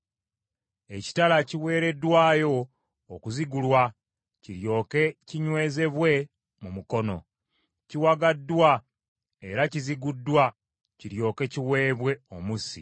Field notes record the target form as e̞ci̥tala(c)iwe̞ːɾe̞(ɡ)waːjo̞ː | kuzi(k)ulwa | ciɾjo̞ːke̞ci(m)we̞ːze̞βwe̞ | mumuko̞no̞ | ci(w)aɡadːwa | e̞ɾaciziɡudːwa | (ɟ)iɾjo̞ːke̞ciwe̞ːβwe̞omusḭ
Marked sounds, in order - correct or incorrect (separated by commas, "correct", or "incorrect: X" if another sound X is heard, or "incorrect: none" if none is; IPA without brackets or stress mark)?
correct, incorrect: d, incorrect: ɡ, incorrect: ɲ, correct, incorrect: c